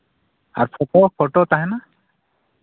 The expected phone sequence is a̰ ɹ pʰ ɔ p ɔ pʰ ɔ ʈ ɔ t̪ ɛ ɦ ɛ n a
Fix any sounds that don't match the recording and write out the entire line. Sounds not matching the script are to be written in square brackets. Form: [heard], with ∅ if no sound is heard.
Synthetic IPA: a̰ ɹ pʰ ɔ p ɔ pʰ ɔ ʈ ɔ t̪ [a] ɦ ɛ n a